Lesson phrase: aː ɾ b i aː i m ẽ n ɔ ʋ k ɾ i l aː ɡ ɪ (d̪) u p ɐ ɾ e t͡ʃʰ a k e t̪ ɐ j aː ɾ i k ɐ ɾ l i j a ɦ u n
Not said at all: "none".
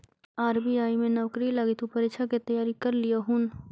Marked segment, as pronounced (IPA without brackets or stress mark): t̪